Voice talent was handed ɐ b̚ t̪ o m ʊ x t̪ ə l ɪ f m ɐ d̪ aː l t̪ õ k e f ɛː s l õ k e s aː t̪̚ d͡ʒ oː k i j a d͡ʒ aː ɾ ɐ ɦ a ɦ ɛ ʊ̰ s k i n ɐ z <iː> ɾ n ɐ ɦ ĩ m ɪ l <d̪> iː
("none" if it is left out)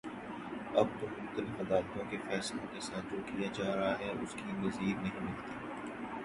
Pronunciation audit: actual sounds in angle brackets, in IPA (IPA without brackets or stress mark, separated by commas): iː, t̪